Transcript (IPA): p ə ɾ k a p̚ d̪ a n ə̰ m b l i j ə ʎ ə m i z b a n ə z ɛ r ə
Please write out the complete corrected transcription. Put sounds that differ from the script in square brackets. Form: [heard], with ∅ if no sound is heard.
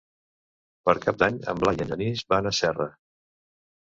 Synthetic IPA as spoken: p ə ɾ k a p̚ d̪ a [ɲ] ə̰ m b l [a] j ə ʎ ə [n] i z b a n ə [s] ɛ r ə